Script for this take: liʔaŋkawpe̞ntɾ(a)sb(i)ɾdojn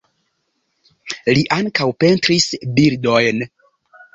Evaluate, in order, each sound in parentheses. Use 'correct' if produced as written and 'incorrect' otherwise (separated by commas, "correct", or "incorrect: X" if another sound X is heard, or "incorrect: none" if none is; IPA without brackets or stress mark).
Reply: incorrect: i, correct